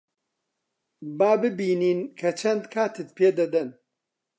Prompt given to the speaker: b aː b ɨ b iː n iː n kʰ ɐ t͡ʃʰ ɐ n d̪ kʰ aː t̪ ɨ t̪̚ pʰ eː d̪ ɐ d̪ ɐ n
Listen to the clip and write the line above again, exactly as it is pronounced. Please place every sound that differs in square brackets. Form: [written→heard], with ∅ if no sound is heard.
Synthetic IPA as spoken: b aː b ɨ b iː n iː n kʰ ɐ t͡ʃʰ ɐ n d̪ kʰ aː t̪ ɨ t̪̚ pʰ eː d̪ ɐ d̪ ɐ n